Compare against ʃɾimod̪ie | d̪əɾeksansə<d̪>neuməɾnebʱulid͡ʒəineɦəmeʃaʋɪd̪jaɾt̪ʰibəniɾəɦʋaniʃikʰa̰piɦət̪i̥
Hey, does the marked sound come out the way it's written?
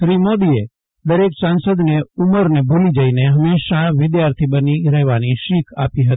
yes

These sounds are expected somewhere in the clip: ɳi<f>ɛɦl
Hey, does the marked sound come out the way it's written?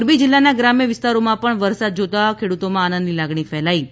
yes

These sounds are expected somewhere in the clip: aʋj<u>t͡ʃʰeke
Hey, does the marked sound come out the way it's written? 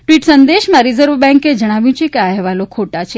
no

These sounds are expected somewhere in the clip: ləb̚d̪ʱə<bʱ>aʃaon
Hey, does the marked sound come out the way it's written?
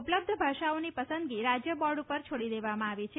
yes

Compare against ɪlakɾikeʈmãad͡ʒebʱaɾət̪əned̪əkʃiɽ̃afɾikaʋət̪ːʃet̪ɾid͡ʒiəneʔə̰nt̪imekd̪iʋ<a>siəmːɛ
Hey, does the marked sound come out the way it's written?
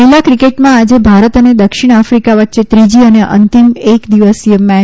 no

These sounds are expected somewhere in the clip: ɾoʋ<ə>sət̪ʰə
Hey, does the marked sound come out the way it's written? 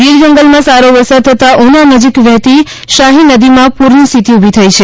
yes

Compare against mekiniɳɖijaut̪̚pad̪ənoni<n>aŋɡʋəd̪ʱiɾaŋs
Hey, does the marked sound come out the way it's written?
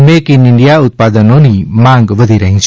no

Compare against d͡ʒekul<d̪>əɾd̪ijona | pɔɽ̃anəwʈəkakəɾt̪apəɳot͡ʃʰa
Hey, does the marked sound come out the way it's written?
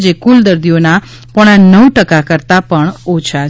yes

